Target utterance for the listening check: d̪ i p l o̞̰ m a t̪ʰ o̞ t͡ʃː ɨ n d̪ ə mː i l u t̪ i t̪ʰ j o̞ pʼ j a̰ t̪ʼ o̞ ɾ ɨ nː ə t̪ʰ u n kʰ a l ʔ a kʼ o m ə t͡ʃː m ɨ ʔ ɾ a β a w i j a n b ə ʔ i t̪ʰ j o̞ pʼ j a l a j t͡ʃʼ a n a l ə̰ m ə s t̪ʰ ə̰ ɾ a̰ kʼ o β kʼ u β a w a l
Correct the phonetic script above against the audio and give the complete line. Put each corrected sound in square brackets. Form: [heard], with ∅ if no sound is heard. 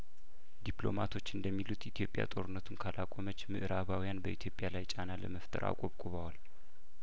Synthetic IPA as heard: d̪ i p l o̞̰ m a t̪ʰ o̞ t͡ʃː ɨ n d̪ ə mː i l u t̪ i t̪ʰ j o̞ pʼ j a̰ t̪ʼ o̞ ɾ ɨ nː ə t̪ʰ u n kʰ a l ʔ a kʼ o m ə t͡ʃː m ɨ ʔ ɾ a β a w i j a n b ə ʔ i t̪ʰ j o̞ pʼ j a l a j t͡ʃʼ a n a l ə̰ m ə [f] t̪ʰ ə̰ ɾ a̰ kʼ o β kʼ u β a w a l

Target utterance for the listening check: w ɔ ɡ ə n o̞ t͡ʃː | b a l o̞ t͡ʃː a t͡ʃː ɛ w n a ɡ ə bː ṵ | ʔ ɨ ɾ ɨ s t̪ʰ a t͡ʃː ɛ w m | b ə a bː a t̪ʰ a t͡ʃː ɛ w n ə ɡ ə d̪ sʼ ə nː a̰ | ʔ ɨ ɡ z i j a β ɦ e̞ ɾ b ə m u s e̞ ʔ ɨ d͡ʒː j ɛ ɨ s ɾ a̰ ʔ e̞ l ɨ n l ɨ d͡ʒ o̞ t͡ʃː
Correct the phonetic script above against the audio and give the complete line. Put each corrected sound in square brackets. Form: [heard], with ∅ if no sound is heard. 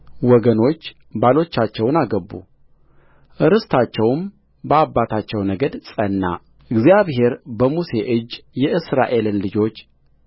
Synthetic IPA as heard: w ɔ ɡ ə n o̞ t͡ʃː | b a l o̞ t͡ʃː a t͡ʃː ɛ w n a ɡ ə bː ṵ | ʔ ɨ ɾ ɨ s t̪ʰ a t͡ʃː ɛ w m | b ə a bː a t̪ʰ a t͡ʃː ɛ w n ə ɡ ə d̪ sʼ ə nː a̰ | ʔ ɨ ɡ z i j a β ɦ e̞ ɾ b ə m u s e̞ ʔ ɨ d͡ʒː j ɛ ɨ s ɾ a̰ ʔ e̞ l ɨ n l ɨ d͡ʒ o̞ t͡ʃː

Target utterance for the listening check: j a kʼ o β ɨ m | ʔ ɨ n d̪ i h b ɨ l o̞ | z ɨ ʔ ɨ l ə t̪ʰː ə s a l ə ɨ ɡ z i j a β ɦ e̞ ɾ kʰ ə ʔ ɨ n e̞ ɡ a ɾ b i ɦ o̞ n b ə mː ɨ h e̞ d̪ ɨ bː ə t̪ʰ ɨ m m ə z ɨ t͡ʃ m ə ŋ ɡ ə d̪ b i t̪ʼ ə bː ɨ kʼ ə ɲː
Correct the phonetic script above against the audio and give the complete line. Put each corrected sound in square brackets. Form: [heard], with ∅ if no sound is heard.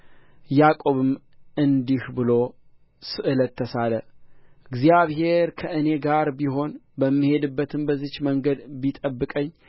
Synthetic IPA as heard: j a kʼ o β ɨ m | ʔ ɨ n d̪ i h b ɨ l o̞ | [s] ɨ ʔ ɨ l ə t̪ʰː ə s a l ə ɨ ɡ z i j a β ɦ e̞ ɾ kʰ ə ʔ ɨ n e̞ ɡ a ɾ b i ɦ o̞ n b ə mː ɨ h e̞ d̪ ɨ bː ə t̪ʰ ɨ m [b] ə z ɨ t͡ʃ m ə ŋ ɡ ə d̪ b i t̪ʼ ə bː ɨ kʼ ə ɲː

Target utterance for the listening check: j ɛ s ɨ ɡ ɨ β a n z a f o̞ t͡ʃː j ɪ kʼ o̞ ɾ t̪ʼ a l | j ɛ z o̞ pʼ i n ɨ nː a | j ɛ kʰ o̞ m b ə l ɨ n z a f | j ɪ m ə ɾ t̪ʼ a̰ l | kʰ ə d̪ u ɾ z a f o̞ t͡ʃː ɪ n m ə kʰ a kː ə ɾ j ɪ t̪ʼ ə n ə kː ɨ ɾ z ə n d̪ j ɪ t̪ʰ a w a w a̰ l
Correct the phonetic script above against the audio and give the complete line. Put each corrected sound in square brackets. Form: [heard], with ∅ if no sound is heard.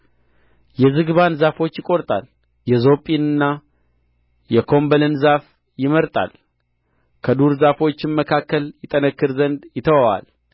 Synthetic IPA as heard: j ɛ [z] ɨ ɡ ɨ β a n z a f o̞ t͡ʃː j ɪ kʼ o̞ ɾ t̪ʼ a l | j ɛ z o̞ pʼ i n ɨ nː a | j ɛ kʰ o̞ m b ə l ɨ n z a f | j ɪ m ə ɾ t̪ʼ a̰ l | kʰ ə d̪ u ɾ z a f o̞ t͡ʃː ɪ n m ə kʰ a kː ə [l] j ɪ t̪ʼ ə n ə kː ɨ ɾ z ə n d̪ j ɪ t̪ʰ [ə] w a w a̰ l

